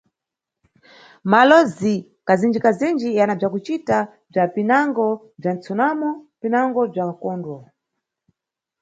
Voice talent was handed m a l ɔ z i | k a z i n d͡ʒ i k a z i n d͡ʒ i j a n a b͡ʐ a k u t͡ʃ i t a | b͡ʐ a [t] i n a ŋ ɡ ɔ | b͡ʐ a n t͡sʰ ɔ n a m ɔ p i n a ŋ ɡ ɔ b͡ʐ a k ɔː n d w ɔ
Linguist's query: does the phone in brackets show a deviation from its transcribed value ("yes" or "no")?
yes